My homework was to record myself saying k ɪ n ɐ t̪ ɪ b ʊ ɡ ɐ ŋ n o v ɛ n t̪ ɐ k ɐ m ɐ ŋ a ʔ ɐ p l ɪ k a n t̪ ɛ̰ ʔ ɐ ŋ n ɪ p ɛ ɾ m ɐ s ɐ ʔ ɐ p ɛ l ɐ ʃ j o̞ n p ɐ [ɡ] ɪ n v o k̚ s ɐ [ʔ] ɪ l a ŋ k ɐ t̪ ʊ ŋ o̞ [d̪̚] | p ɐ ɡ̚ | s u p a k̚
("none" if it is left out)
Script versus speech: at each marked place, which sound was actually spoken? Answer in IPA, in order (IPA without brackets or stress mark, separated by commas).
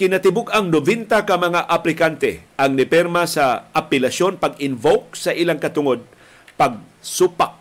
ɡ, ʔ, d̪̚